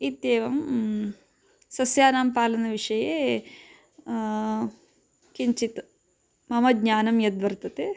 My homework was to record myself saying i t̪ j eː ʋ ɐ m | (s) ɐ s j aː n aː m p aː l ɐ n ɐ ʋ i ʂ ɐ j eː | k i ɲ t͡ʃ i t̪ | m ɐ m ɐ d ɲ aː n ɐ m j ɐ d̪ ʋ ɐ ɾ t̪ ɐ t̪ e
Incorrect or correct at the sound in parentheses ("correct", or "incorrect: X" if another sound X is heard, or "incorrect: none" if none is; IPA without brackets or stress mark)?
correct